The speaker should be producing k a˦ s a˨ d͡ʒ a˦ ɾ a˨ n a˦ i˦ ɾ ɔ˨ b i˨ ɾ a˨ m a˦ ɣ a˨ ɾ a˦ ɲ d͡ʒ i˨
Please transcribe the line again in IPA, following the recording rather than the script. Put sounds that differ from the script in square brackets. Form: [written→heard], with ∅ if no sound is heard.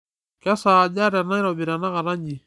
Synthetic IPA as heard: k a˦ s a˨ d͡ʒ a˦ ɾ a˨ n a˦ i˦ ɾ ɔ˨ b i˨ ɾ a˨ [m→n] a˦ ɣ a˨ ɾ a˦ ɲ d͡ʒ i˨